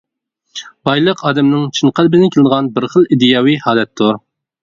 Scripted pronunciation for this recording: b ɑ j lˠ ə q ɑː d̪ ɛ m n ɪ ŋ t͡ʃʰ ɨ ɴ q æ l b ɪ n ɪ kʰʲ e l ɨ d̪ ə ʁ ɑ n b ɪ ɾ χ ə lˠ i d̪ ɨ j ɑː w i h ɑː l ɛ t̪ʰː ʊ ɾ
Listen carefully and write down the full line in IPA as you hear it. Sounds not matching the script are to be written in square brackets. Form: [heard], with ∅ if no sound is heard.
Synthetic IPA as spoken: b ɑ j lˠ ə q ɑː d̪ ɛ m n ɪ ŋ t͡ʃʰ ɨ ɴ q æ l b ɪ n ɪ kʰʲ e l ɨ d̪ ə ʁ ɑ n b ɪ ɾ χ ə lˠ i d̪ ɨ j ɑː w i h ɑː l ɛ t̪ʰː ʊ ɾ